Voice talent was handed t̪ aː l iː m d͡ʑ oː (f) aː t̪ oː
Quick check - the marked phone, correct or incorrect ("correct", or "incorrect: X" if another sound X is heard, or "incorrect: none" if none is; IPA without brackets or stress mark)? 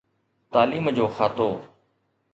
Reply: incorrect: x